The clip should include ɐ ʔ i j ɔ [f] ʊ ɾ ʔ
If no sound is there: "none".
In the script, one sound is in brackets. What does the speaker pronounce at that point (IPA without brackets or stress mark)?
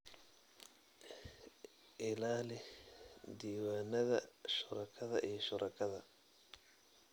ʃ